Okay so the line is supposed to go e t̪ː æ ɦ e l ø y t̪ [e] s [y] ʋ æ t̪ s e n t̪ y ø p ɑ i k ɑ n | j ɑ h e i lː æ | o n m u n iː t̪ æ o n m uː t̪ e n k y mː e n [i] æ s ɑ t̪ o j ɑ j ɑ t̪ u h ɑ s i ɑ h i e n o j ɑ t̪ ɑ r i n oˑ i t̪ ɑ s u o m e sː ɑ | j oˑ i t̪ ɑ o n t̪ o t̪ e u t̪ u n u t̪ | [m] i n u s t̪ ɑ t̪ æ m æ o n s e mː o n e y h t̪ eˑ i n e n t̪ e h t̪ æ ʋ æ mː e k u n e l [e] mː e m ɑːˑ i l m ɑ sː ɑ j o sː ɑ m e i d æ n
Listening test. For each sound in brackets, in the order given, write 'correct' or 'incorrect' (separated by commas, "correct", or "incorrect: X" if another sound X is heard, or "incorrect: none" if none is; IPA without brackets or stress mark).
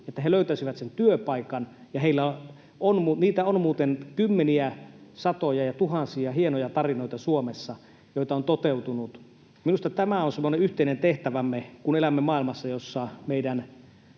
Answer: incorrect: æ, incorrect: i, correct, correct, incorrect: æ